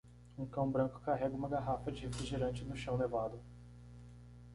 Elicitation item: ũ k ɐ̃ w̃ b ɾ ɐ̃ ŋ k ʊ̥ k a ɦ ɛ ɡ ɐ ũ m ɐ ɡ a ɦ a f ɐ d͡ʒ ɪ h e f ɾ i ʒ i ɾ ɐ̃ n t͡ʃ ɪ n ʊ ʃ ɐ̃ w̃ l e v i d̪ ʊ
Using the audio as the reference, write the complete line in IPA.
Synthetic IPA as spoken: ũ k ɐ̃ w̃ b ɾ ɐ̃ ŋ k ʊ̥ k a ɦ ɛ ɡ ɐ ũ m ɐ ɡ a ɦ a f ɐ d͡ʒ ɪ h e f ɾ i ʒ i ɾ ɐ̃ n t͡ʃ ɪ n ʊ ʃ ɐ̃ w̃ l e v a d̪ ʊ